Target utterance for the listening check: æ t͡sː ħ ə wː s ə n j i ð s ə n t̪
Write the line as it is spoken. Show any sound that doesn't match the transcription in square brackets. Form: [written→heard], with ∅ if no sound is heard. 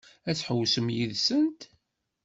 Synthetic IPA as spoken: æ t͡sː ħ ə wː s ə [n→m] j i ð s ə n t̪